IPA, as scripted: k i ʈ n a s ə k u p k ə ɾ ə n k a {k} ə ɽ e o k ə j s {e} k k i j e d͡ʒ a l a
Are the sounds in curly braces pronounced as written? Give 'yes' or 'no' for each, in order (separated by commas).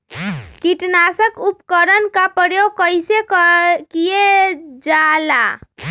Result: no, yes